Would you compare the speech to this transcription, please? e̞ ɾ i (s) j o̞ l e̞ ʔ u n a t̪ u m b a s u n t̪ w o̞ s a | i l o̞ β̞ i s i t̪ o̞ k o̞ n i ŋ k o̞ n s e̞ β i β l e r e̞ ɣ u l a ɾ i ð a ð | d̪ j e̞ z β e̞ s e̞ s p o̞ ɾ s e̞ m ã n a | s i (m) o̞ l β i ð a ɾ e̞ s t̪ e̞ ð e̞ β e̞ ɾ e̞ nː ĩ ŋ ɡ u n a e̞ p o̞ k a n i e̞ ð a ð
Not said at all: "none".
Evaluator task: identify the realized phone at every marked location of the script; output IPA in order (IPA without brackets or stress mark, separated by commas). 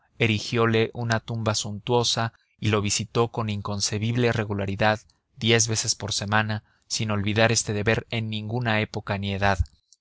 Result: x, n